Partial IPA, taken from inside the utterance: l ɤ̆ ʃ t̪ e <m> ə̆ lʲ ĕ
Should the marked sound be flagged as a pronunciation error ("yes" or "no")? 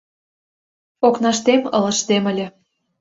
no